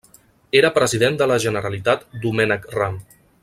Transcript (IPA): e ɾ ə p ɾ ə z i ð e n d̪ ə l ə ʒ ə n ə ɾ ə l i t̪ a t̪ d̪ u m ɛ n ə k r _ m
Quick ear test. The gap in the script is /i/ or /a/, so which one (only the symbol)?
a